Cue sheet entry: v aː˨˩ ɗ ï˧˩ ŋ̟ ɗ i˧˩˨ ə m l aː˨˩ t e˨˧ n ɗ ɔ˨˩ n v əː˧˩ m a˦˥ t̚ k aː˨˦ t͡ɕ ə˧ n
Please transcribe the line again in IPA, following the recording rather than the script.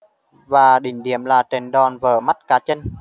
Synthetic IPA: v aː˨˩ ɗ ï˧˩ ŋ̟ ɗ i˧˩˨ ə m l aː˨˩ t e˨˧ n ɗ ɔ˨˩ n v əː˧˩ m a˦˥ t̚ k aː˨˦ t͡ɕ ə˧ n